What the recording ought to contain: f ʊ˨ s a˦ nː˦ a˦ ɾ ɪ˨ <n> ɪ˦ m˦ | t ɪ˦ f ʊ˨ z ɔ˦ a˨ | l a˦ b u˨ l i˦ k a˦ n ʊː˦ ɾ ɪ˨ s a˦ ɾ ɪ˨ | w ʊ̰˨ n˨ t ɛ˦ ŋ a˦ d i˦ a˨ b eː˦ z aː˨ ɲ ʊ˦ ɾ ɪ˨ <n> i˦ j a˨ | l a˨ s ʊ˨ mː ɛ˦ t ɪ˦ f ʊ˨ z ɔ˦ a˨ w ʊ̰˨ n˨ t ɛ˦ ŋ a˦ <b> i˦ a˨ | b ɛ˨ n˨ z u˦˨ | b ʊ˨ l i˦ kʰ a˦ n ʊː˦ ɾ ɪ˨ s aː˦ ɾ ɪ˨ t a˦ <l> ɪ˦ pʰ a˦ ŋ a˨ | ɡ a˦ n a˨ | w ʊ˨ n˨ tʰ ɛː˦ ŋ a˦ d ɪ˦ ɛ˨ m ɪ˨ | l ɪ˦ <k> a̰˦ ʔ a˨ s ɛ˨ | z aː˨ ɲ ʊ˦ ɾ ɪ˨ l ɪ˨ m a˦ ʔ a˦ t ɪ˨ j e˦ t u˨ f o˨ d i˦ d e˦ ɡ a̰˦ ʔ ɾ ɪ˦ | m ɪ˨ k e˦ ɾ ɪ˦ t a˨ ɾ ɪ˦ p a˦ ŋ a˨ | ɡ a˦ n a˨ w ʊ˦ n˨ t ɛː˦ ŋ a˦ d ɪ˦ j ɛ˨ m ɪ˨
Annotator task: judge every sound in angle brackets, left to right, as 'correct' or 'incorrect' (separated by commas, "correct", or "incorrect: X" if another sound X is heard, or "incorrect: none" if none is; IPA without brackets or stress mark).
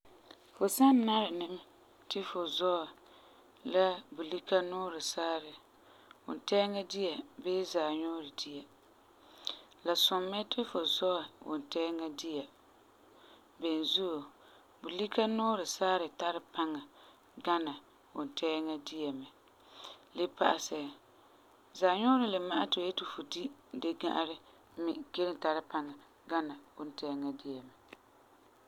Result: correct, incorrect: d, incorrect: d, incorrect: ɾ, incorrect: p